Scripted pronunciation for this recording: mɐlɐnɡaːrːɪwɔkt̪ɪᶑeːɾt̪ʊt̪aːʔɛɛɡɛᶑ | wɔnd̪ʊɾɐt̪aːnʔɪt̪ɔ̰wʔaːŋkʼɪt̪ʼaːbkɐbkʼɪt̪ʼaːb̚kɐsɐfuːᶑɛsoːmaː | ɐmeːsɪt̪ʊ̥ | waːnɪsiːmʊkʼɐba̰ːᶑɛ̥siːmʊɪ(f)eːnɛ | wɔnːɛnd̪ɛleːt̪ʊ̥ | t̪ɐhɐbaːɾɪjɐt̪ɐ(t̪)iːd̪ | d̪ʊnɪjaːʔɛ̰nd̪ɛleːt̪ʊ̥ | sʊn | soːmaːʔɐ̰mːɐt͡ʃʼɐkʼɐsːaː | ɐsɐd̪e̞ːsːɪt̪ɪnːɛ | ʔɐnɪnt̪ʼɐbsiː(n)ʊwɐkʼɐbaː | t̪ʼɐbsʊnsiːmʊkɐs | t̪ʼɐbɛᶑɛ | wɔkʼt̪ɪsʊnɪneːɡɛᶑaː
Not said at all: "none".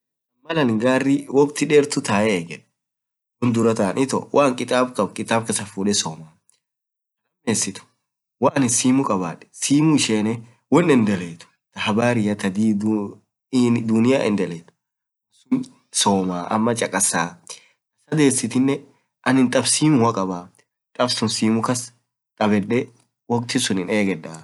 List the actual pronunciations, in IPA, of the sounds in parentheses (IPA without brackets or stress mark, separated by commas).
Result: ʃ, d̪, m